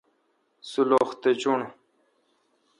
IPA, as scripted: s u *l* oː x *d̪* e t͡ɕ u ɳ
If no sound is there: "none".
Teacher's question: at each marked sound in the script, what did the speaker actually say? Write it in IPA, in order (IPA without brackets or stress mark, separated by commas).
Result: l, t̪